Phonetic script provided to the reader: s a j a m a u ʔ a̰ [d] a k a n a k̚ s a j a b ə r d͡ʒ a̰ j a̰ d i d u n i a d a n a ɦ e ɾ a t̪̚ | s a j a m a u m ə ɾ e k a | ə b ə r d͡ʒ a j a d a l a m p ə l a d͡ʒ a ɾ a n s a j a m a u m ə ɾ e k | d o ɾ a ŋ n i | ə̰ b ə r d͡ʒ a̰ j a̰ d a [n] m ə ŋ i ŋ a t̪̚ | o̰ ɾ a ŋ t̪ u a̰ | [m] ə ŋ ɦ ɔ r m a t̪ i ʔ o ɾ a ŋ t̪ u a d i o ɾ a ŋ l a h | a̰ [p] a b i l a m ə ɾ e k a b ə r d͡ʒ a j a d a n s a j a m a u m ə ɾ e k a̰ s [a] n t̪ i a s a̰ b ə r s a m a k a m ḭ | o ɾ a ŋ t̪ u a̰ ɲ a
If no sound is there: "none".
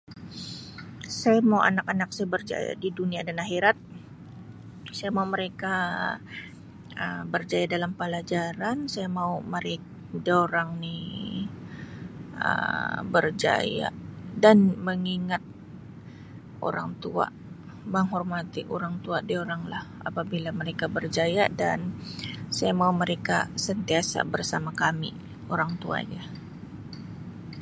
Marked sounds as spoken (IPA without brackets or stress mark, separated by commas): n, n, m, p, ə